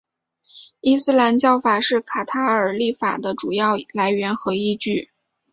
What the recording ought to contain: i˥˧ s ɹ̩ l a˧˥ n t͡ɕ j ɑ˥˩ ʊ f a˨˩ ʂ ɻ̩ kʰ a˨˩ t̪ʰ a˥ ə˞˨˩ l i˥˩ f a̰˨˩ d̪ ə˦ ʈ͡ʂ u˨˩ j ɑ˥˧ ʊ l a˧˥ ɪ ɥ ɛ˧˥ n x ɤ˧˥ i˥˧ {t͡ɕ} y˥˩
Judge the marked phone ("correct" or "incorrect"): correct